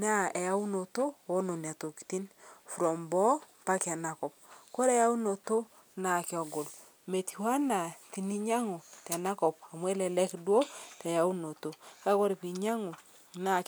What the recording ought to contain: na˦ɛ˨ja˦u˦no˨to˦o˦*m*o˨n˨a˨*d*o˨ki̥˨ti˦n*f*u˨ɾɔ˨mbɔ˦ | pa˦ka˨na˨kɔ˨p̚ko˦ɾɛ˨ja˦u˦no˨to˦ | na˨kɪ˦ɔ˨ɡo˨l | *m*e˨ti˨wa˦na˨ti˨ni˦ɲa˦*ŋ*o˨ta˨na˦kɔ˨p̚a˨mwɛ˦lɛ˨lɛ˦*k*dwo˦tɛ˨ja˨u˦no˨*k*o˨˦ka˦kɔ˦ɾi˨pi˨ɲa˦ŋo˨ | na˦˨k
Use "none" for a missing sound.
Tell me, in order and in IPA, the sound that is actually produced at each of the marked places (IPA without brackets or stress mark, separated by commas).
n, t, f, m, ŋ, k, t